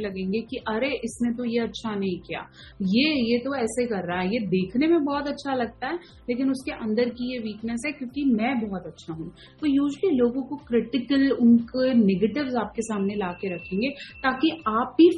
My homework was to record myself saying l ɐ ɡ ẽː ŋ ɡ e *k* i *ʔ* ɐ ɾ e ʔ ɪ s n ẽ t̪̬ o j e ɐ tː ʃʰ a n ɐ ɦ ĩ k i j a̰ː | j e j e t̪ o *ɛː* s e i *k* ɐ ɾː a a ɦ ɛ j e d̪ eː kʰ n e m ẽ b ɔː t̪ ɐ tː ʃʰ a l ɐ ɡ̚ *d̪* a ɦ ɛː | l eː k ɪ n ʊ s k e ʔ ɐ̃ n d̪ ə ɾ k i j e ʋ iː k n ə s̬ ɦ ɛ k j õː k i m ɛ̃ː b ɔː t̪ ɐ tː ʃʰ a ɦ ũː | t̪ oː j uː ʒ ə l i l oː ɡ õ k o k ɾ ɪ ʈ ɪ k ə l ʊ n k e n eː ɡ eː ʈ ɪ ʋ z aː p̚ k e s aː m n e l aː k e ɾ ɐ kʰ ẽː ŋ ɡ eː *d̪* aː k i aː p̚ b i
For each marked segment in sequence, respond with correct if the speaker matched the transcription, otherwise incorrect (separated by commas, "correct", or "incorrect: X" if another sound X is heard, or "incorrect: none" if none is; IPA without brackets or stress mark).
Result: correct, correct, correct, correct, incorrect: t̪, incorrect: t̪